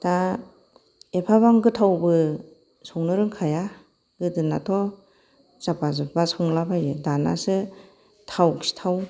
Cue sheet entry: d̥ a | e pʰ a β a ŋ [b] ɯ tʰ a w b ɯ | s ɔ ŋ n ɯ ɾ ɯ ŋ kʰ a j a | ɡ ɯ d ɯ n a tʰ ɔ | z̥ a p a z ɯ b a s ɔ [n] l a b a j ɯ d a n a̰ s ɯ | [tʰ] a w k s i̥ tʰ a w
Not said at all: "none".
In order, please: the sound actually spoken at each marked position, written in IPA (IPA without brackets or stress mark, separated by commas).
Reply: ɡ, ŋ, tʰ